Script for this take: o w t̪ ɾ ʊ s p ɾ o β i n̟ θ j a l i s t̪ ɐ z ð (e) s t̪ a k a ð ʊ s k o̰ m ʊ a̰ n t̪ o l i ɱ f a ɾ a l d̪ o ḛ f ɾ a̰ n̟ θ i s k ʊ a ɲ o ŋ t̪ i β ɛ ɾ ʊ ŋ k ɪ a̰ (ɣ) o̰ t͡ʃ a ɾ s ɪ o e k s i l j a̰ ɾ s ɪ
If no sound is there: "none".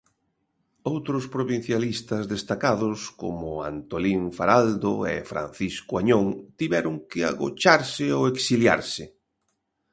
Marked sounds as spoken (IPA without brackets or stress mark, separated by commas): e, ɣ